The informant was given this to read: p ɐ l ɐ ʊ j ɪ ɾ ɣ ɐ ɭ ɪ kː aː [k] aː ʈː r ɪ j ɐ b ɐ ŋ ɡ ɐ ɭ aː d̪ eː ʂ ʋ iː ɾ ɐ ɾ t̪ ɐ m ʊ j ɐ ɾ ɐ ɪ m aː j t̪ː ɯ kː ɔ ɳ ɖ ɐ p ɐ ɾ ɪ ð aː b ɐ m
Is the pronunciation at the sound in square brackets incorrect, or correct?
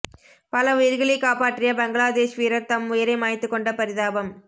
incorrect